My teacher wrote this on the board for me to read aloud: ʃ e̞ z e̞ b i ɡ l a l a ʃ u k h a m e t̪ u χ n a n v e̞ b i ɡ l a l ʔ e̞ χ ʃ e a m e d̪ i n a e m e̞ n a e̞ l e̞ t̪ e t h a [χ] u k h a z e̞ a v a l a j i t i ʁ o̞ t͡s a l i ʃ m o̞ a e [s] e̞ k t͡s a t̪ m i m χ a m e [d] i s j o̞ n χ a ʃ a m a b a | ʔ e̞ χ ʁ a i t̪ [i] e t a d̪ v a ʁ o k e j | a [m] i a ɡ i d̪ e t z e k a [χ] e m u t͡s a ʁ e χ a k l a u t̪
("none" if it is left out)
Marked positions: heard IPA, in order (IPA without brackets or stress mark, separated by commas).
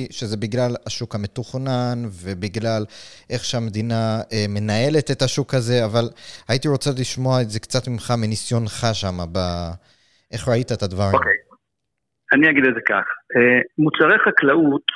ʃ, z, n, a, n, χ